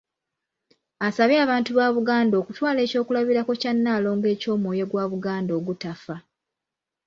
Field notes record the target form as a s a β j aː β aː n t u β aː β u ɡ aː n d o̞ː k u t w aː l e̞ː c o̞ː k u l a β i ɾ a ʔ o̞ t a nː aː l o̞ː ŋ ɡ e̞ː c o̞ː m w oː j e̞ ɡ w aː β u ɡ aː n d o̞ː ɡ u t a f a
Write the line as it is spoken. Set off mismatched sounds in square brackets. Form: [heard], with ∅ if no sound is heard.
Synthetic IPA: a s a β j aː β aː n t u β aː β u ɡ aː n d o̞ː k u t w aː l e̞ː c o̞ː k u l a β i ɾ a [k] o̞ [c] a nː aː l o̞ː ŋ ɡ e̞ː c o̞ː m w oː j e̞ ɡ w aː β u ɡ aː n d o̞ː ɡ u t a f a